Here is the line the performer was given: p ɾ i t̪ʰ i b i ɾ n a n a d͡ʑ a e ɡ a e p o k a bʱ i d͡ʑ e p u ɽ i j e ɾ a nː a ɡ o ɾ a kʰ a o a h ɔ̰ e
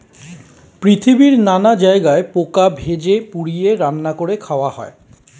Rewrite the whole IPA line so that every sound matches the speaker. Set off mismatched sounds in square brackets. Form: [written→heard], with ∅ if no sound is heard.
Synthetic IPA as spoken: p ɾ i t̪ʰ i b i ɾ n a n a d͡ʑ a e ɡ a e p o k a bʱ [i→e] d͡ʑ e p u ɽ i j e ɾ a nː a [ɡ→k] o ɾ [a→e] kʰ a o a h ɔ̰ e